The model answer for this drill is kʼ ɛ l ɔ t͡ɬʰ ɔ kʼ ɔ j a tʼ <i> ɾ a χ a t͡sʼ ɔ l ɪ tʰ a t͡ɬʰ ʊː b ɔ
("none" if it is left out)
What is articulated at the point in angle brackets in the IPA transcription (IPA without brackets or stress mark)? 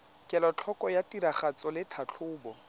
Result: i